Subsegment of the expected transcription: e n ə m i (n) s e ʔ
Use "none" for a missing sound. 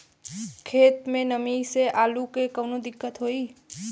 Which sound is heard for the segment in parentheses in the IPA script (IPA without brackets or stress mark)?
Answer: none